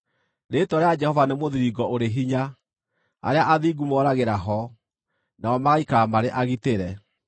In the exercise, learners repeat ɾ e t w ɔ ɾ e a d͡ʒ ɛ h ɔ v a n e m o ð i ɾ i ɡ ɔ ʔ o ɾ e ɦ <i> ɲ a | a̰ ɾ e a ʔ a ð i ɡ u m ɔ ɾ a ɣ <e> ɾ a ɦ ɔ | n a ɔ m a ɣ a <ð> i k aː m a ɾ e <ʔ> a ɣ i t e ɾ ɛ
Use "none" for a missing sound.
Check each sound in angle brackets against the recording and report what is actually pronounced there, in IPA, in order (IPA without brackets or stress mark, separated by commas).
i, e, none, ʔ